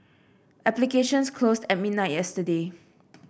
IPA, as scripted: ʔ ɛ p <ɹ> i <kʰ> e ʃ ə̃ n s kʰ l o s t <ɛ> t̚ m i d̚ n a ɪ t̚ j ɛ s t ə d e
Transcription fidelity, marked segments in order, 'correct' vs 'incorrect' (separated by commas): incorrect, incorrect, correct